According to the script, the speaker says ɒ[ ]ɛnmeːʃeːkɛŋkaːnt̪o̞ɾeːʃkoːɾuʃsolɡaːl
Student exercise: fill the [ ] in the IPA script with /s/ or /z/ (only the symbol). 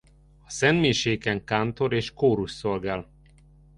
s